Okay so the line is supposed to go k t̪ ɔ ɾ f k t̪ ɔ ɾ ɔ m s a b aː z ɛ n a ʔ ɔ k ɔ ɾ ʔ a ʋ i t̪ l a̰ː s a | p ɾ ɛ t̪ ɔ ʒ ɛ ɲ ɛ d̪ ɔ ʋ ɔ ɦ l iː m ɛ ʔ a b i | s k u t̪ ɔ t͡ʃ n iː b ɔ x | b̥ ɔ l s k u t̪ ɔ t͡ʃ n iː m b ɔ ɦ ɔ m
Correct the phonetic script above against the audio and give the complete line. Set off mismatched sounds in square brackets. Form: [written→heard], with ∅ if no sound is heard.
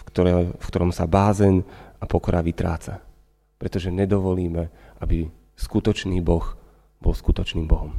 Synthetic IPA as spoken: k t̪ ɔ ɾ f k t̪ ɔ ɾ ɔ m s a b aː z ɛ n a [ʔ→p] ɔ k ɔ ɾ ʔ a ʋ i t̪ [l→ɾ] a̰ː [s→t͡s] a | p ɾ ɛ t̪ ɔ ʒ ɛ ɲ ɛ d̪ ɔ ʋ ɔ [ɦ→∅] l iː m ɛ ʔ a b i | s k u t̪ ɔ t͡ʃ n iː b ɔ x | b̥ ɔ l s k u t̪ ɔ t͡ʃ n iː m b ɔ ɦ ɔ m